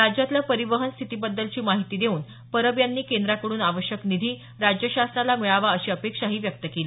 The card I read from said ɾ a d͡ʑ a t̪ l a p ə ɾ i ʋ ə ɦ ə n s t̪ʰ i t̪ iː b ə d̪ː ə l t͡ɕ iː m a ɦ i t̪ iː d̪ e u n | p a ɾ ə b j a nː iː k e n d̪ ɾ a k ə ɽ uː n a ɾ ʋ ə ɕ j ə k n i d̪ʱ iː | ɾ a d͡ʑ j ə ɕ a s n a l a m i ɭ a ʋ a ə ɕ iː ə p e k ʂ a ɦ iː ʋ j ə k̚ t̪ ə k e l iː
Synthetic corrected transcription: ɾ a d͡ʑ a t̪ l a p ə ɾ i ʋ ə ɦ ə n s t̪ʰ i t̪ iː b ə d̪ː ə l t͡ɕ iː m a ɦ i t̪ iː d̪ e uː n | p ə ɾ ə b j a nː iː k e n d̪ ɾ a k ə ɽ uː n a ʋ ə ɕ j ə k n i d̪ʱ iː | ɾ a d͡ʑ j ə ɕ a s n a l a m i ɭ a ʋ a ə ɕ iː ə p e k ʂ a ɦ iː ʋ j ə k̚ t̪ ə k e l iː

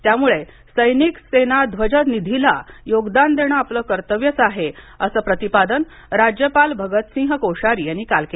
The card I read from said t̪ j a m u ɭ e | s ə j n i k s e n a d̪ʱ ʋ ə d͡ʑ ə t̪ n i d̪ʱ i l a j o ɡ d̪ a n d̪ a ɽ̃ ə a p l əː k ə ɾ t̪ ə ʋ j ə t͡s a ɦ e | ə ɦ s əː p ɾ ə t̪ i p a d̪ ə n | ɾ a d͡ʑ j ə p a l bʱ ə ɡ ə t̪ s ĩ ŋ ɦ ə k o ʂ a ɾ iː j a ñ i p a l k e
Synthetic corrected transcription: t̪ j a m u ɭ e | s ə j n i k s e n a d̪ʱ ʋ ə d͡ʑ ə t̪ n i d̪ʱ i l a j o ɡ d̪ a n d̪ e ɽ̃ ə a p l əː k ə ɾ t̪ ə ʋ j ə t͡s a ɦ e | ə s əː p ɾ ə t̪ i p a d̪ ə n | ɾ a d͡ʑ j ə p a l bʱ ə ɡ ə t̪ s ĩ ŋ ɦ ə k o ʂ a ɾ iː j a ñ i k a l k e

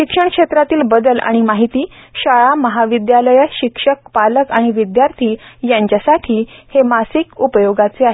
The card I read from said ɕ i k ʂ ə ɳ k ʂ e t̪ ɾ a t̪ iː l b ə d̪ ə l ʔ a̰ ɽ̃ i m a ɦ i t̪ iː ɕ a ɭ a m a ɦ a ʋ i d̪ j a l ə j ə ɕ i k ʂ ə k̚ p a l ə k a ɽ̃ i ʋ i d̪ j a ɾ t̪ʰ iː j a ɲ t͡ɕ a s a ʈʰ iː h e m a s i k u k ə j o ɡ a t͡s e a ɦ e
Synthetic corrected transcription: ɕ i k ʂ ə ɳ k ʂ e t̪ ɾ a t̪ iː l b ə d̪ ə l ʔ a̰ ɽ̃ i m a ɦ i t̪ iː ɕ a ɭ a m ə ɦ a ʋ i d̪ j a l ə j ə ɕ i k ʂ ə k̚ p a l ə k a ɽ̃ i ʋ i d̪ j a ɾ t̪ʰ iː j a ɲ t͡ɕ a s a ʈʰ iː h e m a s i k u p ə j o ɡ a t͡s e a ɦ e

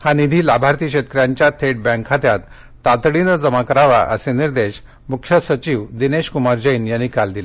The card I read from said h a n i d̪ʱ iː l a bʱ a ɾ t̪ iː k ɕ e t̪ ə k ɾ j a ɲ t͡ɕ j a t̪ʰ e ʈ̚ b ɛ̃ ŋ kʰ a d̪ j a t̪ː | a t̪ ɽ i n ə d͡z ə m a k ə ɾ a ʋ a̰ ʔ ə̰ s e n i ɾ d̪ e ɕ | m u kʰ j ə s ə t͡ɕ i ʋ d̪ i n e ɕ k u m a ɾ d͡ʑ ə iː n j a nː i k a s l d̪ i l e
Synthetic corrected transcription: h a n i d̪ʱ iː l a bʱ a ɾ t̪ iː k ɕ e t̪ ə k ɾ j a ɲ t͡ɕ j a t̪ʰ e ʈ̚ b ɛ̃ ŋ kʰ a t̪ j a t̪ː | a t̪ ɽ i n ə d͡z ə m a k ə ɾ a ʋ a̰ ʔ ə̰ s e n i ɾ d̪ e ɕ | m u kʰ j ə s ə t͡ɕ i ʋ d̪ i n e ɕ k u m a ɾ d͡ʑ ə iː n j a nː i k a l d̪ i l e

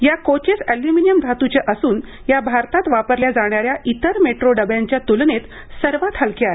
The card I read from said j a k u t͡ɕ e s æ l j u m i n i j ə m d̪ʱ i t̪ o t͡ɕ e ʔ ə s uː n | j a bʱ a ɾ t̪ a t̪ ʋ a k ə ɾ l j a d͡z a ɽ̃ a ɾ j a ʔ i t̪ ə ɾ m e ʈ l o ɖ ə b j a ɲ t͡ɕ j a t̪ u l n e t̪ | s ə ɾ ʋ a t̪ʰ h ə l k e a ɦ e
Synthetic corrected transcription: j a k o t͡ɕ e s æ l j u m i n i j ə m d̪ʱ a t̪ u t͡ɕ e ʔ ə s uː n | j a bʱ a ɾ t̪ a t̪ ʋ a p ə ɾ l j a d͡z a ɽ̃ a ɾ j a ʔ i t̪ ə ɾ m e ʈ ɾ o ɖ ə b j a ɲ t͡ɕ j a t̪ u l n e t̪ | s ə ɾ ʋ a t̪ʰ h ə l k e a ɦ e

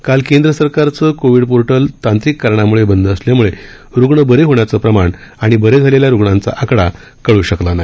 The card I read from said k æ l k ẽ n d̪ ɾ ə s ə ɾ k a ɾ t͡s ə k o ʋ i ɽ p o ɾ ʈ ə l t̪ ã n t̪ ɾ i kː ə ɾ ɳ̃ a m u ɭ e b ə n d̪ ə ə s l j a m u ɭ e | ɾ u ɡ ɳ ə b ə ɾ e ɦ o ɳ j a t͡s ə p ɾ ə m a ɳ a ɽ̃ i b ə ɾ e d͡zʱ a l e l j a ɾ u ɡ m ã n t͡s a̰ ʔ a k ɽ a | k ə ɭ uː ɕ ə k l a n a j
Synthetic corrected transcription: k a l k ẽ n d̪ ɾ ə s ə ɾ k a ɾ t͡s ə k o ʋ i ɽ p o ɾ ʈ ə l t̪ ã n t̪ ɾ i kː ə ɾ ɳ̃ a m u ɭ e b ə n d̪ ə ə s l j a m u ɭ e | ɾ u ɡ ɳ ə b ə ɾ e ɦ o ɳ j a t͡s ə p ɾ ə m a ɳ a ɽ̃ i b ə ɾ e d͡zʱ a l e l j a ɾ u ɡ ɳ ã n t͡s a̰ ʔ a k ɽ a | k ə ɭ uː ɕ ə k l a n a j

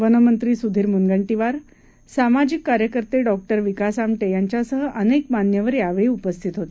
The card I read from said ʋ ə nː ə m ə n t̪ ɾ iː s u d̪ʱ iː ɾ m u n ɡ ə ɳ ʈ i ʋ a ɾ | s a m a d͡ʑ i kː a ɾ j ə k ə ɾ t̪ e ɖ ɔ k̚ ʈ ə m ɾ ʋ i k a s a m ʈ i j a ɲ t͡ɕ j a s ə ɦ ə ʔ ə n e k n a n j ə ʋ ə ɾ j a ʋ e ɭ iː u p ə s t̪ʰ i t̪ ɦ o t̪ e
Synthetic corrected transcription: ʋ ə n ə m ə n t̪ ɾ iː s u d̪ʱ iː ɾ m u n ɡ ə ɳ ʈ i ʋ a ɾ | s a m a d͡ʑ i kː a ɾ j ə k ə ɾ t̪ e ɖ ɔ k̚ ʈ ə ɾ ʋ i k a s a m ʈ e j a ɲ t͡ɕ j a s ə ɦ ə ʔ ə n e k m a n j ə ʋ ə ɾ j a ʋ e ɭ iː u p ə s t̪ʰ i t̪ ɦ o t̪ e

